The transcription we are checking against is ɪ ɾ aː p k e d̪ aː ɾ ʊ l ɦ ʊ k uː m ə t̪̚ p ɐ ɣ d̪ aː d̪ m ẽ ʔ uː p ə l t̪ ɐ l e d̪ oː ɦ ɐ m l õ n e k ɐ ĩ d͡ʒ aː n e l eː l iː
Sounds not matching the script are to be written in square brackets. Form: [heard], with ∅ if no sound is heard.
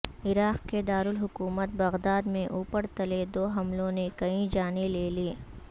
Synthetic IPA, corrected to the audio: ɪ ɾ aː [q] k e d̪ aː ɾ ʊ l ɦ ʊ k uː m ə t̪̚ [b] ɐ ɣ d̪ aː d̪ m ẽ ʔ uː p ə [ɾ] t̪ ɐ l e d̪ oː ɦ ɐ m l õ n e k ɐ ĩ d͡ʒ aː n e l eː l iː

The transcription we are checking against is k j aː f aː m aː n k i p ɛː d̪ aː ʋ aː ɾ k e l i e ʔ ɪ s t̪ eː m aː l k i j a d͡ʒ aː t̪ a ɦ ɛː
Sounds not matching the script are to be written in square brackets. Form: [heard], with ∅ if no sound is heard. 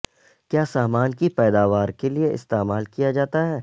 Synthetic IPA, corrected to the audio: k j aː [s] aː m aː n k i p ɛː d̪ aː ʋ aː ɾ k e l i e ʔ ɪ s t̪ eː m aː l k i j a d͡ʒ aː t̪ a ɦ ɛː

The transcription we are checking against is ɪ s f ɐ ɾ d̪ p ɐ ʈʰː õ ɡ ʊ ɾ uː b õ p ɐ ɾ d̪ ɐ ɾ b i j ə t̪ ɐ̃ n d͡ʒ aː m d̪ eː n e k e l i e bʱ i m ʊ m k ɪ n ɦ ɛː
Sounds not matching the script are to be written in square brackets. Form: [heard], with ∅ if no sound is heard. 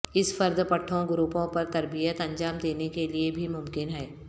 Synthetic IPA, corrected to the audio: ɪ s f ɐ ɾ d̪ p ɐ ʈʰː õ ɡ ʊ ɾ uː [p] õ p ɐ ɾ [t̪] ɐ ɾ b i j ə t̪ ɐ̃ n d͡ʒ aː m d̪ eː n e k e l i e bʱ i m ʊ m k ɪ n ɦ ɛː

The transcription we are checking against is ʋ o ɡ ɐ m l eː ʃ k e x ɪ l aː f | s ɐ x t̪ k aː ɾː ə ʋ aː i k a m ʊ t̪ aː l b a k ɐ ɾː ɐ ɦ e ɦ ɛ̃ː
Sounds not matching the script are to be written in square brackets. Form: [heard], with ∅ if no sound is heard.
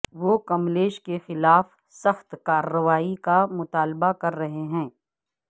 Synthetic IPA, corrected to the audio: ʋ o [k] ɐ m l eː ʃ k e x ɪ l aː f | s ɐ x t̪ k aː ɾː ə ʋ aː i k a m ʊ t̪ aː l b a k ɐ ɾː ɐ ɦ e ɦ ɛ̃ː

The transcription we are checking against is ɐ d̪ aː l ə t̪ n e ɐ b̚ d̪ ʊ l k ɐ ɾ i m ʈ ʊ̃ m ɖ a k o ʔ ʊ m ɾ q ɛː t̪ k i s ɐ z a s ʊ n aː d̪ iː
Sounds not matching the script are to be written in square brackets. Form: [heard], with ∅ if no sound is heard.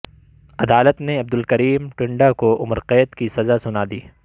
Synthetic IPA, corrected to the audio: ɐ d̪ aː l ə t̪ n e ɐ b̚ d̪ ʊ l k ɐ ɾ [iː] m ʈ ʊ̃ [ɳ] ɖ a k o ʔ ʊ m ɾ q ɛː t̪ k i s ɐ z a s ʊ n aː d̪ iː

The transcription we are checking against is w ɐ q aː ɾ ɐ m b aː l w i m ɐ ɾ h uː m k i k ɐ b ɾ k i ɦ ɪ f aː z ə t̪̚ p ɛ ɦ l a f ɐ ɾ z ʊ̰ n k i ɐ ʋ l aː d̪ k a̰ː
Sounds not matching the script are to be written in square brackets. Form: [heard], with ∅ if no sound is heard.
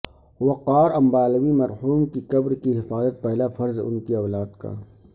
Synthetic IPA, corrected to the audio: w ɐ q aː ɾ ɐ m b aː l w i m ɐ ɾ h uː m k i k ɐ b ɾ k i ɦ ɪ f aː z ə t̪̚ p ɛ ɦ l a f ɐ ɾ z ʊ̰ n k i ɐ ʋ l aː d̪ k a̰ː

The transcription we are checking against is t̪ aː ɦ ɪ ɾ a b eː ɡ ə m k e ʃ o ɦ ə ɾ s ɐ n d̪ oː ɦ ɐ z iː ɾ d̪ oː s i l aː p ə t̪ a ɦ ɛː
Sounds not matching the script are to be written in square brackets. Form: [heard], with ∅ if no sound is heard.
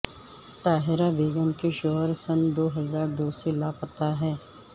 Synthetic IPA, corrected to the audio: t̪ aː ɦ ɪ ɾ a b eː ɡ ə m k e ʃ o ɦ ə ɾ s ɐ n d̪ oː ɦ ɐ z [aː] ɾ d̪ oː s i l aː p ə t̪ a ɦ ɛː

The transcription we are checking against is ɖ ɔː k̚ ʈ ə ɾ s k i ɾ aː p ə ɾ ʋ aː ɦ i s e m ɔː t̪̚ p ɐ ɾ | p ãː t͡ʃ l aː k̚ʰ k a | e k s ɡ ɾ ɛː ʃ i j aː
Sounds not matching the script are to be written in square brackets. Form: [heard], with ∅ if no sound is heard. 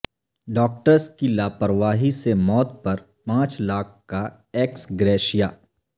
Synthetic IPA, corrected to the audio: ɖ ɔː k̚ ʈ ə ɾ s k i [l] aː p ə ɾ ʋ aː ɦ i s e m ɔː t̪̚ p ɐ ɾ | p ãː t͡ʃ l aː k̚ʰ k a | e k s ɡ ɾ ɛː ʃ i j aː

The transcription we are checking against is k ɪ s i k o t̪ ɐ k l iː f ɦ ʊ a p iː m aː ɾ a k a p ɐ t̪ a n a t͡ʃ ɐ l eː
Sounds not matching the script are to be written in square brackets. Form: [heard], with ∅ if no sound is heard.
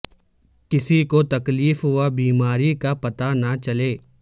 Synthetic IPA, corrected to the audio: k ɪ s i k o t̪ ɐ k l iː f ɦ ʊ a [b] iː m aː ɾ [i] k a p ɐ t̪ a n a t͡ʃ ɐ l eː

